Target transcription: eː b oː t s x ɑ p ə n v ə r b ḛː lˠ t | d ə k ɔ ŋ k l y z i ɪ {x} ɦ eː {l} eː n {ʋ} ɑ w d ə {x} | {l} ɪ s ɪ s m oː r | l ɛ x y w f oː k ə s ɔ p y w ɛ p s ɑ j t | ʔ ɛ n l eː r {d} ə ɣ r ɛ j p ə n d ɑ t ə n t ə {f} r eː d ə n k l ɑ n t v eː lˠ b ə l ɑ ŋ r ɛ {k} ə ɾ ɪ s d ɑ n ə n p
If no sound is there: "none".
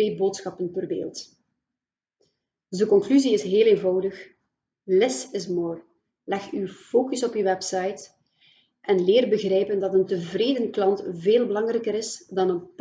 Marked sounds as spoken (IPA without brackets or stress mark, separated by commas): s, l, v, x, l, b, v, k